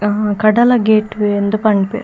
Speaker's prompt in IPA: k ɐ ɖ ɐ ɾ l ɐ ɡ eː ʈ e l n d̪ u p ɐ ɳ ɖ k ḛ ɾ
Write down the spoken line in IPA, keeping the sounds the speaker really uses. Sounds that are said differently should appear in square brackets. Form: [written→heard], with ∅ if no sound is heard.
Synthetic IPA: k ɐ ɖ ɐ [ɾ→∅] l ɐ ɡ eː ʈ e [l→∅] n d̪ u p ɐ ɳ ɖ [k→p] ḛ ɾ